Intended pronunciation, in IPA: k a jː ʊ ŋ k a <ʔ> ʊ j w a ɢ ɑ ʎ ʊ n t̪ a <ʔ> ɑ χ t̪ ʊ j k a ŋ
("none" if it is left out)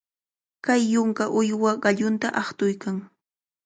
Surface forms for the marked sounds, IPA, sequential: ʔ, ʔ

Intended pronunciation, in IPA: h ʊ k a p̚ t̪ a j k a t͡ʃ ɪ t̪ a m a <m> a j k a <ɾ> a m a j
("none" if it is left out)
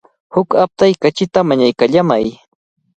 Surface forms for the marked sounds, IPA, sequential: ɲ, ʎ

